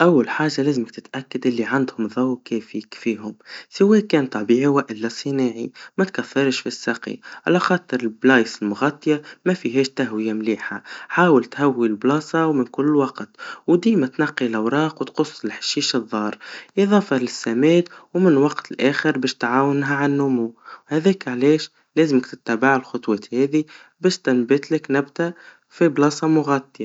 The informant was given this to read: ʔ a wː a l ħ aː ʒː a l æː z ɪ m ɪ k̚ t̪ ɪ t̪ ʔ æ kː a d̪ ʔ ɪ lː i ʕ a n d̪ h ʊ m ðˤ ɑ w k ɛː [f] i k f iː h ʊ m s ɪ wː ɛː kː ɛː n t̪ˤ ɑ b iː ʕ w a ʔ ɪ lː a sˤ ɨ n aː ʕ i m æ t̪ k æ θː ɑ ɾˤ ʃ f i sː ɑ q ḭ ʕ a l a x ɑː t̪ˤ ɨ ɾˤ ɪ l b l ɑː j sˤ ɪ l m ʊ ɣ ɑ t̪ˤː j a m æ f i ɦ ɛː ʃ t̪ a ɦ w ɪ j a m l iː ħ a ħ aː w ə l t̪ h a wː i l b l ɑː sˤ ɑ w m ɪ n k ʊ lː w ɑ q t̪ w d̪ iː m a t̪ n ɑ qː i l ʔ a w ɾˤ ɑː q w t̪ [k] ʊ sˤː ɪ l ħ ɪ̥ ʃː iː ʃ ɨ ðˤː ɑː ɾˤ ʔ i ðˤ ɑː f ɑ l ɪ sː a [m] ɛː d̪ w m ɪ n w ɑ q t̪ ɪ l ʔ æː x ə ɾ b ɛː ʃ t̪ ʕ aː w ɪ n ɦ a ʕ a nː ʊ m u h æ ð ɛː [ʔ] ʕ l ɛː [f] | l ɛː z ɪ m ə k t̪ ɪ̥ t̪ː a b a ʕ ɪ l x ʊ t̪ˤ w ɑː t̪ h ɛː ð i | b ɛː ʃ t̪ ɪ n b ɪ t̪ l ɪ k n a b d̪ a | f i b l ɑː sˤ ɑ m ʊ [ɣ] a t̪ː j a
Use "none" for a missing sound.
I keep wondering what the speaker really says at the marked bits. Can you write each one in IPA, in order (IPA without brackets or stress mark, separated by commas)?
f, q, m, k, ʃ, ɣ